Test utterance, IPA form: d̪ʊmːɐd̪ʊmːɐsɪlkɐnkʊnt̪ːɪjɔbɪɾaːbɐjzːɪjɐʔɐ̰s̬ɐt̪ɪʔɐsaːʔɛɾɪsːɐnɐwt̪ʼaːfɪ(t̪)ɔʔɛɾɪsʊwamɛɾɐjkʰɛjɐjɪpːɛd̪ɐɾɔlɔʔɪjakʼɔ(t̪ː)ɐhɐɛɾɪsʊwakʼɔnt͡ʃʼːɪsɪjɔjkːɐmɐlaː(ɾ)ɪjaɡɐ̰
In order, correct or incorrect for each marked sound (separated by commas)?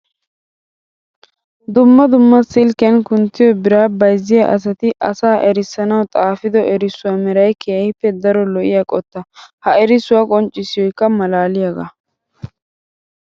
incorrect, correct, incorrect